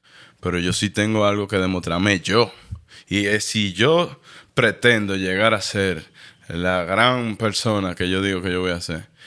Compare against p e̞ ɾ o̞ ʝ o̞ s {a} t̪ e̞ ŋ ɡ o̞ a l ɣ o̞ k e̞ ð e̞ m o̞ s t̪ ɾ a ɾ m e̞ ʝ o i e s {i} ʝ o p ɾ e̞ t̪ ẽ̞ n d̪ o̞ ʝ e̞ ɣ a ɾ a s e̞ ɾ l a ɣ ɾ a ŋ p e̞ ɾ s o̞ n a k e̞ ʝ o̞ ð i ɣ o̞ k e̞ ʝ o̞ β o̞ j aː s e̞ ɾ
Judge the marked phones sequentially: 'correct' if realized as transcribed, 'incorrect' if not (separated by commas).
incorrect, correct